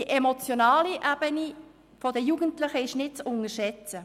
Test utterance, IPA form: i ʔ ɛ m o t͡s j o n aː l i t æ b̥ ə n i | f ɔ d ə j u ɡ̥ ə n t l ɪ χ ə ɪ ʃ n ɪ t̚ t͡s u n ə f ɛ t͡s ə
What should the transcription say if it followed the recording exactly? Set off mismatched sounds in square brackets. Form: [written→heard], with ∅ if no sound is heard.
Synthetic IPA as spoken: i ʔ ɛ m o t͡s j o n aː l i [t→ʔ] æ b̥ ə n i | f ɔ d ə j u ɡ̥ ə n t l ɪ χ ə ɪ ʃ n ɪ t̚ t͡s [u→ʊ] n ə [f→ʃ] ɛ t͡s ə